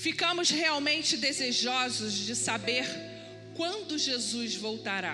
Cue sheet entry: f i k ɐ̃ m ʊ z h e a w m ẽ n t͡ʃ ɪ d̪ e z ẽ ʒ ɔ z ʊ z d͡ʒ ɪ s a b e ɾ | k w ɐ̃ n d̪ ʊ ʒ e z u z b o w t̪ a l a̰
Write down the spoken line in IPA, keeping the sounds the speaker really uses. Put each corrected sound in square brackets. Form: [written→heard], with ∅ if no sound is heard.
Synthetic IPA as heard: f i k ɐ̃ m ʊ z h e a w m ẽ n t͡ʃ ɪ d̪ e z [ẽ→e] ʒ ɔ z ʊ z d͡ʒ ɪ s a b e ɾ | k w ɐ̃ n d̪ ʊ ʒ e z u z [b→v] o w t̪ a [l→ɾ] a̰